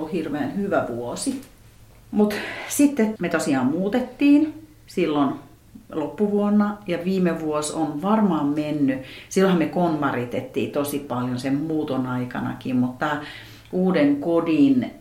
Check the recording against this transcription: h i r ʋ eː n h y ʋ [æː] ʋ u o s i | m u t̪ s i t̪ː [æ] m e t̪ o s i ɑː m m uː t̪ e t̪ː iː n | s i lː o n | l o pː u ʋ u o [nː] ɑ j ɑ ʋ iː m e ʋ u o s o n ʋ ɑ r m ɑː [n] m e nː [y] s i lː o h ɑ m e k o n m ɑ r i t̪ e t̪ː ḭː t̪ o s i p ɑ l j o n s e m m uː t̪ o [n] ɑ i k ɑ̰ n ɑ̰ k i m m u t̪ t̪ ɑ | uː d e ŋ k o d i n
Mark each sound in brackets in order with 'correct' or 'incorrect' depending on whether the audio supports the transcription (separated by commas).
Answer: incorrect, incorrect, correct, incorrect, correct, correct